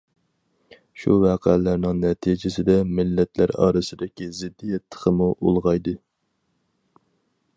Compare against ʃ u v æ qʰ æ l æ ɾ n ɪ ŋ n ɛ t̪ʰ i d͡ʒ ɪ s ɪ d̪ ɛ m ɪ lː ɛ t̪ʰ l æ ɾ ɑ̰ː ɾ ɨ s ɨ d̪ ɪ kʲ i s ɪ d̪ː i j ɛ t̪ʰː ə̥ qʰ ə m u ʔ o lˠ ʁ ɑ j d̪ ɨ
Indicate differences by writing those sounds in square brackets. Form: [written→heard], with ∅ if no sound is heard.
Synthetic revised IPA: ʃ u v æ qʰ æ l æ ɾ n ɪ ŋ n ɛ t̪ʰ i d͡ʒ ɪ s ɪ d̪ ɛ m ɪ lː ɛ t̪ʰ l æ ɾ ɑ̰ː ɾ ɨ s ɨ d̪ ɪ kʲ i [s→z] ɪ d̪ː i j ɛ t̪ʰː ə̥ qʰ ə m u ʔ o lˠ ʁ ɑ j d̪ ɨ